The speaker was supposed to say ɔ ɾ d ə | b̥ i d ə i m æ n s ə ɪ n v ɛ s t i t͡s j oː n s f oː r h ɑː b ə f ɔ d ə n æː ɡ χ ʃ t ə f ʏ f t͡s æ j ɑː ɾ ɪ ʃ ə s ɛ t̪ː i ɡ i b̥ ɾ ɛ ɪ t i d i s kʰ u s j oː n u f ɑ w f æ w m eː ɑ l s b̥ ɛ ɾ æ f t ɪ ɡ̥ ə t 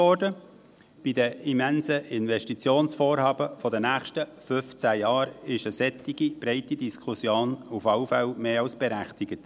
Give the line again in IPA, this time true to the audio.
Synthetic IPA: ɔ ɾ d ə | b̥ i d ə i m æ n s ə ɪ n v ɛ ʃ t i t͡s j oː n s f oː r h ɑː b ə f ɔ d ə n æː χ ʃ t ə f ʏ f t͡s æ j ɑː ɾ ɪ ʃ ə s ɛ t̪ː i ɡ i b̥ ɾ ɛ ɪ t i d i s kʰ u s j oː n u f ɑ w f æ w m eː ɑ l s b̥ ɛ ɾ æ χ t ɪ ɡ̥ ə t

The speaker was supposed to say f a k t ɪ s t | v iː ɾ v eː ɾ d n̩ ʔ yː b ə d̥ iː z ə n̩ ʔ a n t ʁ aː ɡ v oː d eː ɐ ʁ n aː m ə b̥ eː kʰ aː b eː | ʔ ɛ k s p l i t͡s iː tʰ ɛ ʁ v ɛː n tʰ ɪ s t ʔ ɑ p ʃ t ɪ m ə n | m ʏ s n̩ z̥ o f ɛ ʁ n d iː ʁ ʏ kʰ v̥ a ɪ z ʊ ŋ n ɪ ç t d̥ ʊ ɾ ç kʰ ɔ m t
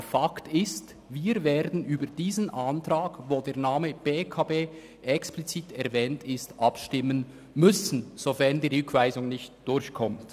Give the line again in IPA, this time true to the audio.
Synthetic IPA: f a k t ɪ s t | v iː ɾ v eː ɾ d n̩ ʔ yː b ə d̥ iː z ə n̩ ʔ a n t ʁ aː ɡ v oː d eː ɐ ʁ n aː m ə b̥ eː kʰ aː b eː | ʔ ɛ k s p l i t͡s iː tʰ ɛ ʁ v ɛː n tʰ ɪ s t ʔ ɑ p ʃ t ɪ m ə n | m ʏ s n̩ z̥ o f ɛ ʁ n d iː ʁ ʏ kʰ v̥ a ɪ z ʊ ŋ n ɪ ç t d̥ ʊ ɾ ç kʰ ɔ m t

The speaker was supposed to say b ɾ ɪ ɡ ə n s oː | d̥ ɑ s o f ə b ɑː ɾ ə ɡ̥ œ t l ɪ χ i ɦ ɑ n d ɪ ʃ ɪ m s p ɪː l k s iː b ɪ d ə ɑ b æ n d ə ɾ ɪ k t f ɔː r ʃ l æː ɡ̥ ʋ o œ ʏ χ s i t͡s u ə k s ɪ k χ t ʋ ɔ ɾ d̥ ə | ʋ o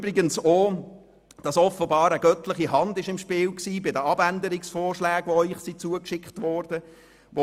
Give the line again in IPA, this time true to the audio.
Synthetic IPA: b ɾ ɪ ɡ ə n s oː | d̥ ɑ s ɔ f ə b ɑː ɾ ə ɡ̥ œ t l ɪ χ i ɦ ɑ n d ɪ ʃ ɪ m ʃ p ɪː l k s iː b ɪ d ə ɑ b æ n d ə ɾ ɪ k s f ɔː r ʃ l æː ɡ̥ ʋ o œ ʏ χ s i t͡s u ə k ʃ ɪ k χ t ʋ ɔ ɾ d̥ ə | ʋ o

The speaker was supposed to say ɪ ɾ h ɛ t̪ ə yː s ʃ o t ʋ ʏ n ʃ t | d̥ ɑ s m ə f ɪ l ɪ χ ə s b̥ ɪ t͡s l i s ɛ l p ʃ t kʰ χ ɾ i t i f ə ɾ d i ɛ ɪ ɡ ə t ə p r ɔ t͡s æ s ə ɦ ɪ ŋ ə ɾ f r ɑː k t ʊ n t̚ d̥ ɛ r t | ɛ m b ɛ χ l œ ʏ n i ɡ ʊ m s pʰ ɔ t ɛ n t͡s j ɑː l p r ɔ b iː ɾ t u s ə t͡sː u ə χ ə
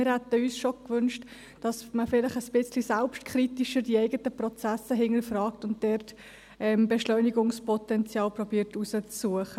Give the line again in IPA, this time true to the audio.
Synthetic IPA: ɪ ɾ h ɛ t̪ ə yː s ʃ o k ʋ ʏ n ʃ t | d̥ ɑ s m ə f ɪ l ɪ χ ə s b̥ ɪ t͡s l i s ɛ l p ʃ t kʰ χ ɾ i t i ʃ ə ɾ d i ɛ ɪ ɡ ə t ə p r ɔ t͡s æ s ə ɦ ɪ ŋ ə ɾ f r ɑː k t ʊ n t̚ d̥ ɛ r t | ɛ m b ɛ ʃ l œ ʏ n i ɡ ʊ ŋ s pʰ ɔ t ɛ n t͡s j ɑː l p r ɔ b iː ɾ t u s ə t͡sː u ə χ ə

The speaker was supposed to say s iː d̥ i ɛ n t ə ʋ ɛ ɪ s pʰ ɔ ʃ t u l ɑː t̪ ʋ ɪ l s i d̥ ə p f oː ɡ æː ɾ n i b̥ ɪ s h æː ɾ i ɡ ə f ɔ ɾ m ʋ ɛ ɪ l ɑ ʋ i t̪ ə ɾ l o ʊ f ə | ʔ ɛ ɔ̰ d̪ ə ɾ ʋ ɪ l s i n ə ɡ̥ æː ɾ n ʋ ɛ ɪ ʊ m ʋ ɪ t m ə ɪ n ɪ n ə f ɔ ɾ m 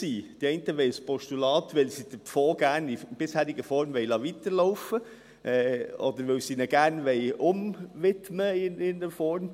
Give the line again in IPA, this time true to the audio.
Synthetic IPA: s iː d̥ i ɛ n t ə ʋ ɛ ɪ s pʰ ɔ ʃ t u l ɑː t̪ ʋ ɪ l s i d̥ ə p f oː ɡ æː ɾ n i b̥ ɪ s h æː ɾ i ɡ ə f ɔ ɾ m ʋ ɛ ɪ l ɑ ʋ i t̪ ə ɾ l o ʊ f ə | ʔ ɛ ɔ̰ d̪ ə ɾ ʋ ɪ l s i n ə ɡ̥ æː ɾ n ʋ ɛ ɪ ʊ m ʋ ɪ t m ə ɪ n ɪ n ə f ɔ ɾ m

